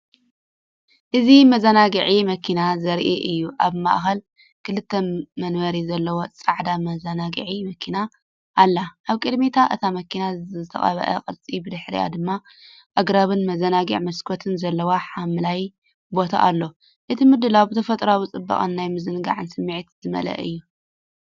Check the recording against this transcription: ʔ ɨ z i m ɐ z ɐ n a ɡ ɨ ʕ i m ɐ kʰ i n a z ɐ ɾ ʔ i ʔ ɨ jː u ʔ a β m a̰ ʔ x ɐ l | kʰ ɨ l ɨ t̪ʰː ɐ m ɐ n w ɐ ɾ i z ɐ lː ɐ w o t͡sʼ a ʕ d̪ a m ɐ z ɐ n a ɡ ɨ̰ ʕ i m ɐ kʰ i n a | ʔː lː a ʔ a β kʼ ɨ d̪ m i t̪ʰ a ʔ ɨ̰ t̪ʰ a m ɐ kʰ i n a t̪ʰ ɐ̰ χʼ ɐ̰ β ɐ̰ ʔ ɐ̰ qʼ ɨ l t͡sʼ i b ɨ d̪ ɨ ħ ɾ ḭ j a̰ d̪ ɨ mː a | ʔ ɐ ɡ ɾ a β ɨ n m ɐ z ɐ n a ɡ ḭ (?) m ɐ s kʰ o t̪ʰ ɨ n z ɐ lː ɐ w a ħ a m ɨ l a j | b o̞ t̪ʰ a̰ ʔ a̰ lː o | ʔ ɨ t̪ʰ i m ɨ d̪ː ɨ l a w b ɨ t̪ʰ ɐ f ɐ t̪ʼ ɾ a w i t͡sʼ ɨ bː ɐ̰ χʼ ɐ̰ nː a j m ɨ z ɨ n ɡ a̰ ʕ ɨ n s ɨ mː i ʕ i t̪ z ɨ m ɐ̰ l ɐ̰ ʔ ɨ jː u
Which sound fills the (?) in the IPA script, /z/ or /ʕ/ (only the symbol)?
ʕ